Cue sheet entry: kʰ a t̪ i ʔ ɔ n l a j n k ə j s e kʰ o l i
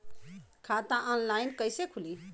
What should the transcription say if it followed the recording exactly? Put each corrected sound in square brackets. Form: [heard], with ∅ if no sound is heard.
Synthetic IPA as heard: kʰ a t̪ [a] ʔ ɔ n l a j n k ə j s e kʰ [u] l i

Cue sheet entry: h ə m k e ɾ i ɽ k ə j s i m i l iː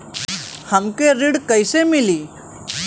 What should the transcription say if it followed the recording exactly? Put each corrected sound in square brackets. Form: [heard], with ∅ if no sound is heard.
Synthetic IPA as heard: h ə m k e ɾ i ɽ k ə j s [e] m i l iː

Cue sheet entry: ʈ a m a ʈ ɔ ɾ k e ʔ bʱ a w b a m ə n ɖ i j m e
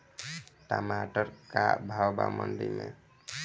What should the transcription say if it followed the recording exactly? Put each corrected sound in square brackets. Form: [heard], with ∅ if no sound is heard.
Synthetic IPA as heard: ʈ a m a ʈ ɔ ɾ k [a] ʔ bʱ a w b a m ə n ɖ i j m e

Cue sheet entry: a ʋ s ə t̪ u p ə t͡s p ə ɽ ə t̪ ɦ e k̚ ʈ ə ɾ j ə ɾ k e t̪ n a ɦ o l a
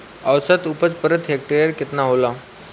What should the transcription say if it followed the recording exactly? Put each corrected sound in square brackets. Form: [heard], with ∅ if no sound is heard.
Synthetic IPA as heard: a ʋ s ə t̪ u p ə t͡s p ə [ɾ] ə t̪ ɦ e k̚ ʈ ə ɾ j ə ɾ k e t̪ n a ɦ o l a

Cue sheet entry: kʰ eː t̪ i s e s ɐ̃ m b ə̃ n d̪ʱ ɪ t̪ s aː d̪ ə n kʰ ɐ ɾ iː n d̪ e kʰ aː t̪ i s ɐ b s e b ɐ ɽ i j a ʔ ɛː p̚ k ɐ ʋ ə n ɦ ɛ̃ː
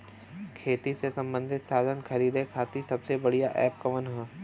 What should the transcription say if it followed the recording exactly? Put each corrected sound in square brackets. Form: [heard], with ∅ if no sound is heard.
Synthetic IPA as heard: kʰ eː t̪ i s e s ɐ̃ m b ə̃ n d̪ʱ ɪ t̪ s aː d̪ ə n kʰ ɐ ɾ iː [∅] d̪ e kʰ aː t̪ i s ɐ b s e b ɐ ɽ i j a ʔ ɛː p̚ k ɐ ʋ ə n ɦ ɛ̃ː

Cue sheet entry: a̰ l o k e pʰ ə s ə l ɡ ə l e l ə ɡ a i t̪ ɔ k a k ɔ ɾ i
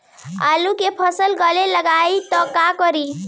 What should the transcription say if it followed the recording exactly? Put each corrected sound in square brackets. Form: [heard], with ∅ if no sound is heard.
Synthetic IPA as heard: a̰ l [u] k e pʰ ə s ə l ɡ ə l e l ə ɡ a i t̪ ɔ k a k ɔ ɾ i

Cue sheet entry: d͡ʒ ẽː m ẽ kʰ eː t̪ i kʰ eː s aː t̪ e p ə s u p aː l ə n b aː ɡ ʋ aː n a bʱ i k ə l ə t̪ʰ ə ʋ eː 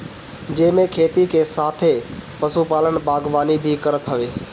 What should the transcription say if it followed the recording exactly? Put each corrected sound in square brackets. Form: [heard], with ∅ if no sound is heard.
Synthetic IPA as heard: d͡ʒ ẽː m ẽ kʰ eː t̪ i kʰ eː s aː [t̪ʰ] e p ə s u p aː l ə n b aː ɡ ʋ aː n [i] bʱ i k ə [ɾ] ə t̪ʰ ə ʋ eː

